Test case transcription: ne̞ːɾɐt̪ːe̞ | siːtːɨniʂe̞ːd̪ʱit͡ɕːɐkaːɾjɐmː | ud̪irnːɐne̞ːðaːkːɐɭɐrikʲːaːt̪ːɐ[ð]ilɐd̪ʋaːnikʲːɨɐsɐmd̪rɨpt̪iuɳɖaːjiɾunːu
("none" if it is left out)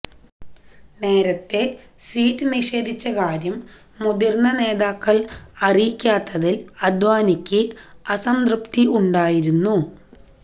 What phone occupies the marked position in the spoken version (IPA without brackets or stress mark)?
ð